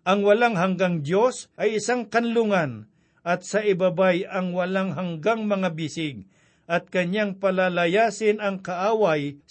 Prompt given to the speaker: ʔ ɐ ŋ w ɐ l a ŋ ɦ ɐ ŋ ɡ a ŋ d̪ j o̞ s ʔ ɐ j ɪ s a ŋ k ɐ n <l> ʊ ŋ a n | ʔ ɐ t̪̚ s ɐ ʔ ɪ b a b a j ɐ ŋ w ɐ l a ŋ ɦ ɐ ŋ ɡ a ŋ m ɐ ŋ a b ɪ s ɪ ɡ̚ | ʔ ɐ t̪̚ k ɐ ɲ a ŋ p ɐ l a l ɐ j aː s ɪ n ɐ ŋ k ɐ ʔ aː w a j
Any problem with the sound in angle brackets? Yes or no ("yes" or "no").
no